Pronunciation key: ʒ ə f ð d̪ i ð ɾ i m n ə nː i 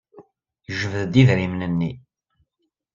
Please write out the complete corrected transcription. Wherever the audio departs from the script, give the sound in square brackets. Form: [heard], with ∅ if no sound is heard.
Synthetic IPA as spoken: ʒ ə [v] ð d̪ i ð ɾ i m n ə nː i